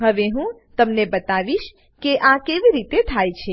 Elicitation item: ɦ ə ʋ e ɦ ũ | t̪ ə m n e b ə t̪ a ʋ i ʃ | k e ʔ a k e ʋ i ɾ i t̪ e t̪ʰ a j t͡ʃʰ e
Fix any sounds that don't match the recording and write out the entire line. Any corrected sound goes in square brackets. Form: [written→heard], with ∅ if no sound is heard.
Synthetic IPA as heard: ɦ ə ʋ e ɦ ũ | t̪ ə m n e b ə t̪ a ʋ i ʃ | k e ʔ a k e ʋ i ɾ i t̪ e t̪ʰ a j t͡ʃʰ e

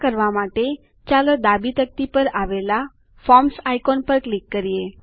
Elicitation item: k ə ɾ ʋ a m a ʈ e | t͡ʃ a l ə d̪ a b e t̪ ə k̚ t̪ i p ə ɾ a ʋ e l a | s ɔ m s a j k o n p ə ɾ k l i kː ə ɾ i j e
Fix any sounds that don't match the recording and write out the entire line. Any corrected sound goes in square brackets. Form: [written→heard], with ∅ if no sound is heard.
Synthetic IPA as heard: k ə ɾ ʋ a m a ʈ e | t͡ʃ a l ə d̪ a b [e→i] t̪ ə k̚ t̪ i p ə ɾ a ʋ e l a | [s→f] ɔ m s a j k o n p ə ɾ k l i kː ə ɾ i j e

